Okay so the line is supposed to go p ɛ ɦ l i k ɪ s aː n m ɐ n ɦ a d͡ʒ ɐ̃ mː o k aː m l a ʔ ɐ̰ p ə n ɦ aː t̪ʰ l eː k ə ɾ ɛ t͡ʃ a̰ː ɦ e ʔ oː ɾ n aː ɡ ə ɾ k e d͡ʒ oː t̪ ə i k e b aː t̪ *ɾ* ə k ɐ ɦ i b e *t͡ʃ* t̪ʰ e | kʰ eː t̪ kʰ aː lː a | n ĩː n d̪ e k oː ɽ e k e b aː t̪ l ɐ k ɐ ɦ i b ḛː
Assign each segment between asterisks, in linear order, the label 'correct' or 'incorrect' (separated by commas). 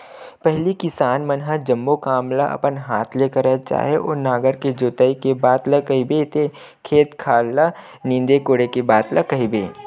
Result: incorrect, incorrect